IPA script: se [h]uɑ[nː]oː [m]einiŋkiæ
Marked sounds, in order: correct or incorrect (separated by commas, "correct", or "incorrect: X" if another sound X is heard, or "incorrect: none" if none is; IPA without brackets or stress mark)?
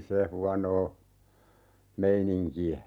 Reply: correct, incorrect: n, correct